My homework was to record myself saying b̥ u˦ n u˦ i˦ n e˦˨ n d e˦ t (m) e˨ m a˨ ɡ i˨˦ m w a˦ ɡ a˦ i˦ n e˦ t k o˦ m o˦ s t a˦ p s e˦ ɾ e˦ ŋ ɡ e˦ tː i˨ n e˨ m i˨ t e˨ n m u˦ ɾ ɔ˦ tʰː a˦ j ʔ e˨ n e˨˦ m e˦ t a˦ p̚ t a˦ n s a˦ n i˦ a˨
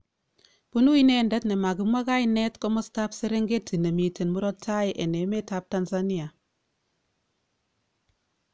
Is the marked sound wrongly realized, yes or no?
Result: yes